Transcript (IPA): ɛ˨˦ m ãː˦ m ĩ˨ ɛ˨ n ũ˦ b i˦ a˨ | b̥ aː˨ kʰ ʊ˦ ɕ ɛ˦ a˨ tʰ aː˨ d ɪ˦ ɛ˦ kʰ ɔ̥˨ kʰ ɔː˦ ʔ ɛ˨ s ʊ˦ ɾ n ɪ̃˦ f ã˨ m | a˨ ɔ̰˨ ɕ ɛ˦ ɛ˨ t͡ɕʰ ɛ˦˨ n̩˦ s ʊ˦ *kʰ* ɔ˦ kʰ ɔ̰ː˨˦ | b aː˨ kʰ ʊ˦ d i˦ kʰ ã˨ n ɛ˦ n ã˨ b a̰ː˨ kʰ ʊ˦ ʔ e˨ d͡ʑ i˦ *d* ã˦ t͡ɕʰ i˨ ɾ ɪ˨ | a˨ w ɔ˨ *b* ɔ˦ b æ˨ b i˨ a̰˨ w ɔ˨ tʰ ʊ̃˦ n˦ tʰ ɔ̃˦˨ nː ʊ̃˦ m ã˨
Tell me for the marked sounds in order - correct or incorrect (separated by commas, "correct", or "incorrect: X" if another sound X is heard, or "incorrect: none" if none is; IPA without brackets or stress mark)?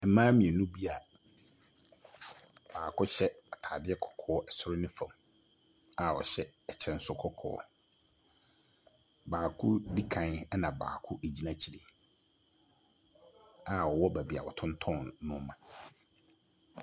correct, incorrect: n, incorrect: w